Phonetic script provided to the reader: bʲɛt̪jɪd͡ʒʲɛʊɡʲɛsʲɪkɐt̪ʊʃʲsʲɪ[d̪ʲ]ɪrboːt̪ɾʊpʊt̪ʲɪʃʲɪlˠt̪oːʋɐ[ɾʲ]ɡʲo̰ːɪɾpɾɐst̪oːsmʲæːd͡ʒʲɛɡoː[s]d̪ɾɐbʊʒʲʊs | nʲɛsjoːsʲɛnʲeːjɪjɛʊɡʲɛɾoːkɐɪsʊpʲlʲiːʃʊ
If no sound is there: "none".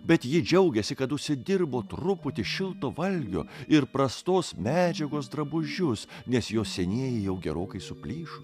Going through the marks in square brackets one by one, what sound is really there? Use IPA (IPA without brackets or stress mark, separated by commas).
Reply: d̪ʲ, lʲ, s